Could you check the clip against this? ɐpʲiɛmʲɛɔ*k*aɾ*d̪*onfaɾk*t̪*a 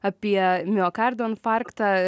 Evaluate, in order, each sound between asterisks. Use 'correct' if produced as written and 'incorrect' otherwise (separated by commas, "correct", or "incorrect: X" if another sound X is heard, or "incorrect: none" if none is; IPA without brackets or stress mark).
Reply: correct, correct, correct